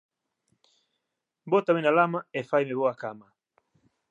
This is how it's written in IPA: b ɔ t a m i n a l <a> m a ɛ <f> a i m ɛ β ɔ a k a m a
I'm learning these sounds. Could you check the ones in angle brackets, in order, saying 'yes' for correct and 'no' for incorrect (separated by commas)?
yes, yes